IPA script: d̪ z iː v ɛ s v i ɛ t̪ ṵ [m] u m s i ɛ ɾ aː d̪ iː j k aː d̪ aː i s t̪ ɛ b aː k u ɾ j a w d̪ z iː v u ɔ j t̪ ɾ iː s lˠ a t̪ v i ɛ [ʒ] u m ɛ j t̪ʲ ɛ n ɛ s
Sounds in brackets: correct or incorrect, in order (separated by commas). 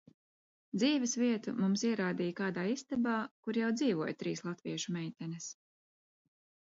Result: correct, incorrect